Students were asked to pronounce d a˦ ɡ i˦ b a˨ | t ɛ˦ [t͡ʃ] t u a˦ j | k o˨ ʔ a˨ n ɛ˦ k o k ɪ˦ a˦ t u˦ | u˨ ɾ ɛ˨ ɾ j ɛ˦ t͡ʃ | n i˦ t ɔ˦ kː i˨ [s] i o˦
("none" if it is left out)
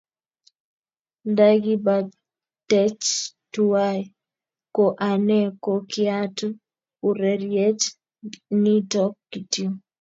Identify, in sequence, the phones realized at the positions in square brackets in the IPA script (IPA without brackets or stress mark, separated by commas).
t͡ʃ, t